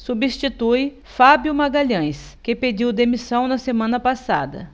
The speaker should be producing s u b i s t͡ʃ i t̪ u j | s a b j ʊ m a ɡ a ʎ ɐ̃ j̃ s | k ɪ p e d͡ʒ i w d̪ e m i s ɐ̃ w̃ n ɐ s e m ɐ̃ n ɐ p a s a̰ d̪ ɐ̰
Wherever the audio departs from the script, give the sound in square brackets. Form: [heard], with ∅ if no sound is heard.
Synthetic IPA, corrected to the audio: s u b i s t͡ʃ i t̪ u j | [f] a b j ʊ m a ɡ a ʎ ɐ̃ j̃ s | k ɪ p e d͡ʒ i w d̪ e m i s ɐ̃ w̃ n ɐ s e m ɐ̃ n ɐ p a s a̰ d̪ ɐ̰